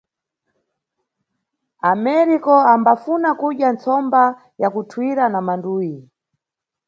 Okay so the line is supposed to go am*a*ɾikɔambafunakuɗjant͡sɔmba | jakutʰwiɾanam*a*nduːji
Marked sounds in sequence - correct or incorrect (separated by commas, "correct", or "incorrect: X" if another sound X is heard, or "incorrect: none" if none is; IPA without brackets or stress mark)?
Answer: incorrect: ɛ, correct